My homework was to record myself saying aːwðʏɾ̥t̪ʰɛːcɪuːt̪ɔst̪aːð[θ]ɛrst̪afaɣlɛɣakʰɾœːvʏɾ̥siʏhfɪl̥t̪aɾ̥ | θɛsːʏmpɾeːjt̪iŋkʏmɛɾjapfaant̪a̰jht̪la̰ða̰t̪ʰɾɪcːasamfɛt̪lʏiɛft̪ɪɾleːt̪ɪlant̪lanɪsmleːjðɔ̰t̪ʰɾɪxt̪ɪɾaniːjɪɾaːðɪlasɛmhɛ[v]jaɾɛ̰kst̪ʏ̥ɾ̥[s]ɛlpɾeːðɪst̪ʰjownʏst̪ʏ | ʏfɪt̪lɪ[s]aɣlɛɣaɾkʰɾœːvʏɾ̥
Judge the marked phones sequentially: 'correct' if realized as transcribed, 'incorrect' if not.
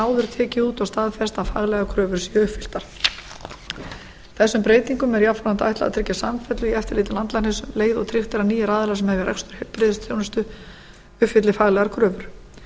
incorrect: f, correct, incorrect: h, incorrect: f

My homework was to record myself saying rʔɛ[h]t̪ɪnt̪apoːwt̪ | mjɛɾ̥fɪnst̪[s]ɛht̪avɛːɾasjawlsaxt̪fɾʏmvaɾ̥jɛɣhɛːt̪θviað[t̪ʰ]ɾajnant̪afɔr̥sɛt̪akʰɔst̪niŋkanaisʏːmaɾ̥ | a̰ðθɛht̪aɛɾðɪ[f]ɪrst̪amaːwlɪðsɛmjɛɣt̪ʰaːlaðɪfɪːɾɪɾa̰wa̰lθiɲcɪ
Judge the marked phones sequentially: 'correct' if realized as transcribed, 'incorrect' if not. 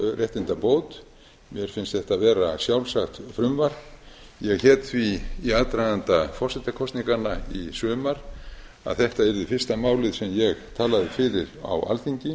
correct, incorrect: θ, incorrect: t̪, correct

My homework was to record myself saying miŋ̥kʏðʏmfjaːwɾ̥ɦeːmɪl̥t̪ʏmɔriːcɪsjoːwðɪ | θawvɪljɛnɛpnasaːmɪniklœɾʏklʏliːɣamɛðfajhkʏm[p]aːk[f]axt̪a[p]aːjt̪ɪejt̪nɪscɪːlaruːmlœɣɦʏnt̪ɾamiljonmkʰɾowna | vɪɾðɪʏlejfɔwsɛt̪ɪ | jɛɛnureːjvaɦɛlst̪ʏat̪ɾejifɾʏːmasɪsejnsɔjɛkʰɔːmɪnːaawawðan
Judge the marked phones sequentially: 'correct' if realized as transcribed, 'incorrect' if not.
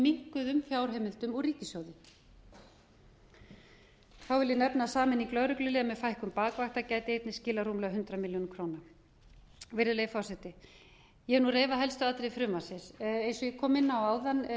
correct, incorrect: v, incorrect: c

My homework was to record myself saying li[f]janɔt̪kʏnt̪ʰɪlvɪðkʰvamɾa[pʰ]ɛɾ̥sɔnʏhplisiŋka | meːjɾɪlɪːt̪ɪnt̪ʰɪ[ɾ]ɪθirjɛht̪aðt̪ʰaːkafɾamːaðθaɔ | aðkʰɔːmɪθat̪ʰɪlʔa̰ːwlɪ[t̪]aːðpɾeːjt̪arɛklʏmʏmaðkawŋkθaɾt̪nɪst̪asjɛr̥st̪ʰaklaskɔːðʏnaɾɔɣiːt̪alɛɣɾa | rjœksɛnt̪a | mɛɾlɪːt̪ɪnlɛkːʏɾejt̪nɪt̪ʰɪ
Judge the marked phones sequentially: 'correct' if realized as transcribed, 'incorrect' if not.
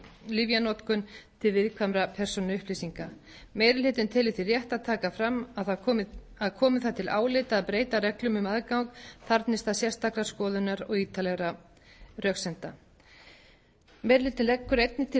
incorrect: v, correct, incorrect: l, correct

